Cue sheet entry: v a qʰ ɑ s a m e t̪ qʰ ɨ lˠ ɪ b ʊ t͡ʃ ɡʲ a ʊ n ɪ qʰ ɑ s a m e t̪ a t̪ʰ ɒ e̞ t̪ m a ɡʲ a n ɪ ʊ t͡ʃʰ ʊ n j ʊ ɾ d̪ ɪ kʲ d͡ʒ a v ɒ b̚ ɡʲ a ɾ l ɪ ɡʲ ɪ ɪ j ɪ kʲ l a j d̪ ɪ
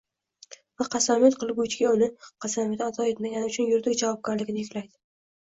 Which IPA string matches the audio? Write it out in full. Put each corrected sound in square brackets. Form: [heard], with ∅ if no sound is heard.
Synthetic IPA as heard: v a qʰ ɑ s a m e t̪ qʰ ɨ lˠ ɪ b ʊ t͡ʃ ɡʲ a ʊ n ɪ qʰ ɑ s a m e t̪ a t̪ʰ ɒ e̞ t̪ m a ɡʲ a n ɪ ʊ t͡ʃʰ ʊ n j ʊ ɾ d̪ ɪ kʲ d͡ʒ a v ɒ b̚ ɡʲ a ɾ l ɪ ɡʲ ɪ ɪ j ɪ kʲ l a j d̪ ɪ